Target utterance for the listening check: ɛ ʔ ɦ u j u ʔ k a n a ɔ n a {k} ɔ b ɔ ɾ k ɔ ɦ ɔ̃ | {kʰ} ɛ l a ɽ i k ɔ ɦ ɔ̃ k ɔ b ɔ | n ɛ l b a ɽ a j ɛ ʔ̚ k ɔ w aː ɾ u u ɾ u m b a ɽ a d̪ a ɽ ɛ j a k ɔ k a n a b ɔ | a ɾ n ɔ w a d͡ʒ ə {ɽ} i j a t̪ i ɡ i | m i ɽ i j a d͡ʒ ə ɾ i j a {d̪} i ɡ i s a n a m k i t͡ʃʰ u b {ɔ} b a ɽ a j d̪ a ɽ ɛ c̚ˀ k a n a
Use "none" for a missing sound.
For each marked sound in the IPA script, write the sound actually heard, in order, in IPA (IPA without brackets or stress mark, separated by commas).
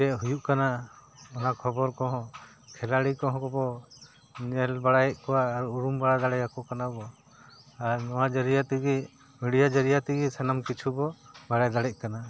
kʰ, kʰ, ɾ, t̪, ɔ